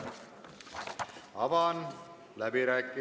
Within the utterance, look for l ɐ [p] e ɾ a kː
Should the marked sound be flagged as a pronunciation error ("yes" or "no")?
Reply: yes